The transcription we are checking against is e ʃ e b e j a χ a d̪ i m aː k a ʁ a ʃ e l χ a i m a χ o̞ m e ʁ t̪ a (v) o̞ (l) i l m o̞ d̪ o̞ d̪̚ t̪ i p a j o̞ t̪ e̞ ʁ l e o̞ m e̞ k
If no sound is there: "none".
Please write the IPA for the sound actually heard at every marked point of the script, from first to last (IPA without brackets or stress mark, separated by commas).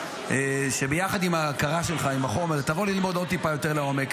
v, l